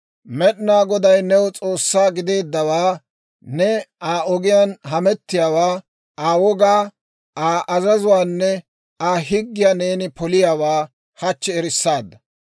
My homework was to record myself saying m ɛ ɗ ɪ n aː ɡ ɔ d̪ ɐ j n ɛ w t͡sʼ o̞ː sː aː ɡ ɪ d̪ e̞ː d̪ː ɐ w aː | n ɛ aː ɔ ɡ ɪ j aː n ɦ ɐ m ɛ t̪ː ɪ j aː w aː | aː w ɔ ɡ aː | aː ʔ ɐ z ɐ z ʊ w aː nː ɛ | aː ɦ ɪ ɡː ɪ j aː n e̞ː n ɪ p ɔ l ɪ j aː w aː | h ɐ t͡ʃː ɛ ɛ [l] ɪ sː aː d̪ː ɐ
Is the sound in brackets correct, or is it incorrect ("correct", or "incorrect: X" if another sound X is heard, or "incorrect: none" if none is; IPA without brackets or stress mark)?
incorrect: ɾ